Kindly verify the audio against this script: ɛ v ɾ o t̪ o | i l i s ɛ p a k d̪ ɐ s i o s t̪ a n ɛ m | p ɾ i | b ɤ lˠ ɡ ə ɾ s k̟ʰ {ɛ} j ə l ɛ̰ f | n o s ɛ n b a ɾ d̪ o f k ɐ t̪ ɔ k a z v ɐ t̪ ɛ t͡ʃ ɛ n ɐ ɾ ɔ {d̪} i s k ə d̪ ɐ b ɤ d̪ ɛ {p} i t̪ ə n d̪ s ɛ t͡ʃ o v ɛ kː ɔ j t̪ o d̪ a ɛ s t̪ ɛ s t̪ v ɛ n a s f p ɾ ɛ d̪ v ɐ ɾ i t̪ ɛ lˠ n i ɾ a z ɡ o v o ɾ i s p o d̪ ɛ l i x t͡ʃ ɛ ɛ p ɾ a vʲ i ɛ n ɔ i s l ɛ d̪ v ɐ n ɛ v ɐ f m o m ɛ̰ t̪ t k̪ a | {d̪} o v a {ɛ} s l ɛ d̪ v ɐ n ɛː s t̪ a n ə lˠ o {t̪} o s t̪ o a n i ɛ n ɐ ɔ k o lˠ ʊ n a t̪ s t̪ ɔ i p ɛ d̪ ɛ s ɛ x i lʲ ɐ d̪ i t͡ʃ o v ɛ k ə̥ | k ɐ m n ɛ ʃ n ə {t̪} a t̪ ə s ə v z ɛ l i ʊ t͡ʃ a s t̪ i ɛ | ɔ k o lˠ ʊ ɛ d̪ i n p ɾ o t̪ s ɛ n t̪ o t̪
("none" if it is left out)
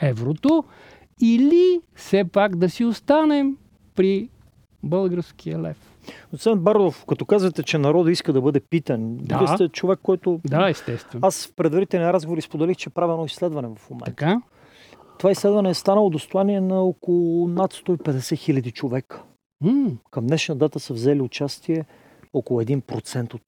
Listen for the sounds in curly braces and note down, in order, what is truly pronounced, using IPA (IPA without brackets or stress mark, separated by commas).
i, d̪, p, t̪, i, d̪, d̪